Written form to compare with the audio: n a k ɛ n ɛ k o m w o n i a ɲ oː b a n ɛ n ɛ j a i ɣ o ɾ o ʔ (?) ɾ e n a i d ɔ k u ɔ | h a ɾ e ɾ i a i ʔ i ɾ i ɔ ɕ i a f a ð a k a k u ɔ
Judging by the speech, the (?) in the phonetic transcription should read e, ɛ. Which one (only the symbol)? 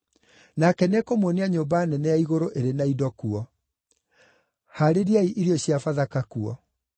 e